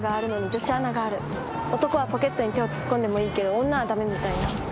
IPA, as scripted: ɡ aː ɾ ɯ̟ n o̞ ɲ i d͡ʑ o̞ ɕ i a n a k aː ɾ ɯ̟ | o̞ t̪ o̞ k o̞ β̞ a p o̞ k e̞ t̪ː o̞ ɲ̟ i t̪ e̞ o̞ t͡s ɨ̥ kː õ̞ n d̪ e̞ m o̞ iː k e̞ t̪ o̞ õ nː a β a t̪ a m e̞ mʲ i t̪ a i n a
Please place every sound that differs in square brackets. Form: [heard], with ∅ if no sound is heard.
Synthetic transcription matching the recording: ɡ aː ɾ ɯ̟ n o̞ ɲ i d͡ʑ o̞ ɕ i a n a [ɡ] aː ɾ ɯ̟ | o̞ t̪ o̞ k o̞ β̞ a p o̞ k e̞ t̪ː o̞ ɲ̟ i t̪ e̞ o̞ t͡s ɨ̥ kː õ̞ n d̪ e̞ m o̞ iː k e̞ [d̪] o̞ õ nː a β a [d̪] a m e̞ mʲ i t̪ a i n a